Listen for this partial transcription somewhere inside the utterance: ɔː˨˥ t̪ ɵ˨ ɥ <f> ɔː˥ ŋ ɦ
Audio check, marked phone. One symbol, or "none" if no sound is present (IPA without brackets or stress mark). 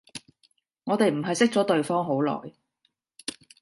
f